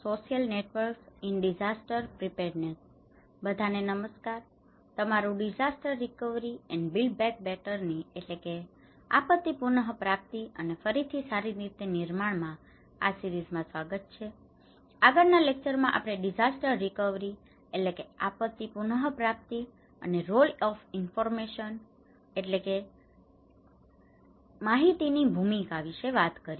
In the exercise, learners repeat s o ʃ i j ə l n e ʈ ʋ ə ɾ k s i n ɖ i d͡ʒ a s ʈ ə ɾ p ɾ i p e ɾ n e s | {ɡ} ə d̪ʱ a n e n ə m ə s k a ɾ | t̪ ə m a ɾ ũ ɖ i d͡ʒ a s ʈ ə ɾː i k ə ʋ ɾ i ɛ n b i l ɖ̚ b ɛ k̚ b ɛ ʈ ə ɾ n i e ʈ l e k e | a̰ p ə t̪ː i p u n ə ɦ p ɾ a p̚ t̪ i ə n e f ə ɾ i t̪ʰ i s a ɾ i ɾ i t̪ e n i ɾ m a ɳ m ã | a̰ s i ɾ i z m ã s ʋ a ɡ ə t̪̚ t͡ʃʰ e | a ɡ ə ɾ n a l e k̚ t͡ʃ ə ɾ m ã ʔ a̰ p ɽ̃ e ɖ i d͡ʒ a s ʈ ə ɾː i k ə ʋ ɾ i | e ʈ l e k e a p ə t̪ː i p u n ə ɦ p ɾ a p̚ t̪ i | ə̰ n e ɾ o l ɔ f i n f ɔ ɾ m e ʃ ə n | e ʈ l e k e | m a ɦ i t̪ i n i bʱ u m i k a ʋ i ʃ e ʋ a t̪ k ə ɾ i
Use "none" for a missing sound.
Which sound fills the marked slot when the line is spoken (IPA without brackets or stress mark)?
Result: b